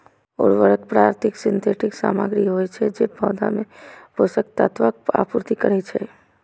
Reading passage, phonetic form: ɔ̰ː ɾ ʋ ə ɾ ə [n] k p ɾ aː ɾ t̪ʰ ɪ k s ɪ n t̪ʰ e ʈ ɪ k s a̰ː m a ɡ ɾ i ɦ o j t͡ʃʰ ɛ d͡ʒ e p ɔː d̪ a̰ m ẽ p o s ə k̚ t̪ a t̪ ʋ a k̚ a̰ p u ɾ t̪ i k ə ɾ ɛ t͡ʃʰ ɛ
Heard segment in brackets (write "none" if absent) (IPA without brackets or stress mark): none